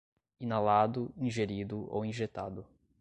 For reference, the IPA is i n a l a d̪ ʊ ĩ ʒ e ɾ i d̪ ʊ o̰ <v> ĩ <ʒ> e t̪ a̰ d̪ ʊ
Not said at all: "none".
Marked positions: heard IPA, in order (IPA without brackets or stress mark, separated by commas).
w, ʒ